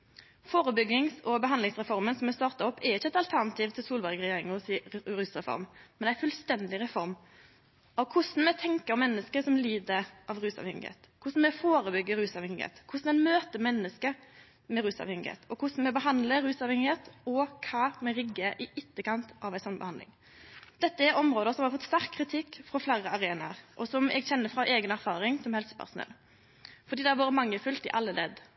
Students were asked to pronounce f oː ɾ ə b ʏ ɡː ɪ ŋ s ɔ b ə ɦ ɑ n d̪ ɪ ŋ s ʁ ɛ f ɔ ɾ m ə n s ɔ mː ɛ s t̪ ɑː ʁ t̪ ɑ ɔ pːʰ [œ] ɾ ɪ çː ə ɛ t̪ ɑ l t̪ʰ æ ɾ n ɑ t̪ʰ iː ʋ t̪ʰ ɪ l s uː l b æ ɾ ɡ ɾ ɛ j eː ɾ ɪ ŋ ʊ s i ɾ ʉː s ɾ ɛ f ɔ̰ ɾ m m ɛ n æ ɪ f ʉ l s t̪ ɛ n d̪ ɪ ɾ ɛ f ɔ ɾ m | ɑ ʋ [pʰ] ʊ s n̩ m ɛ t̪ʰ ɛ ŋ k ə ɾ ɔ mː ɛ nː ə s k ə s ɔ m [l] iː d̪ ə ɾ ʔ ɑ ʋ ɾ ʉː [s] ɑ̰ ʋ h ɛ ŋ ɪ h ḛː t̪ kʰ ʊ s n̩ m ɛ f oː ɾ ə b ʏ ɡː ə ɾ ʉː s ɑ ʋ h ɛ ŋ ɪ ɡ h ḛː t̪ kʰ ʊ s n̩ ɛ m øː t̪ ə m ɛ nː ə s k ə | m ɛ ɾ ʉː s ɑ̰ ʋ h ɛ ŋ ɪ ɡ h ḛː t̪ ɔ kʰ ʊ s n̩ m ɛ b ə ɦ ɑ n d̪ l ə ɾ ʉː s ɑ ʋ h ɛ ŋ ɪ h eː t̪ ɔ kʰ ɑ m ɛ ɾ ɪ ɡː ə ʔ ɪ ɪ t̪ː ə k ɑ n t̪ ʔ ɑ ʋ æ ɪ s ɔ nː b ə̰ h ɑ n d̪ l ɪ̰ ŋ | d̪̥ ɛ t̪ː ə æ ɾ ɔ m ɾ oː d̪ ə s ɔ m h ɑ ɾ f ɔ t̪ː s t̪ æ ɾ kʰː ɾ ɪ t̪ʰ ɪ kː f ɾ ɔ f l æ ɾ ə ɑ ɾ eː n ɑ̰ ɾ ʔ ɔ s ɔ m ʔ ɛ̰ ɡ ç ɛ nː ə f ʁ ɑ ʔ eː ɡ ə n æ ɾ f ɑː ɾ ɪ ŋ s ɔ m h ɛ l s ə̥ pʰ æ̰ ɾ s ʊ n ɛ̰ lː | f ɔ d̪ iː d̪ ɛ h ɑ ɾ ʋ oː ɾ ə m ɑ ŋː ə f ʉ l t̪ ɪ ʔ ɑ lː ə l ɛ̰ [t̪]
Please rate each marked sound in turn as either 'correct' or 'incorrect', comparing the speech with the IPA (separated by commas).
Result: incorrect, incorrect, correct, correct, incorrect